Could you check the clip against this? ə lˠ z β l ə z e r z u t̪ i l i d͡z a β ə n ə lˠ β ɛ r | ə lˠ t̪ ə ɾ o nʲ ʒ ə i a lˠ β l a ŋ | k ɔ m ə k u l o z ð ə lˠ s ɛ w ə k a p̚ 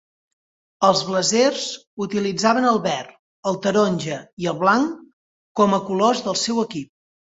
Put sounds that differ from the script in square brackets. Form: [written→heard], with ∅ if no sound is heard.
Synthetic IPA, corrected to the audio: ə lˠ z β l ə z e r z u t̪ i l i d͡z a β ə n ə lˠ β ɛ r | ə lˠ t̪ ə ɾ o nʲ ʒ ə i [a→ə] lˠ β l a ŋ | k ɔ m ə k u l o z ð ə lˠ s ɛ w ə k [a→i] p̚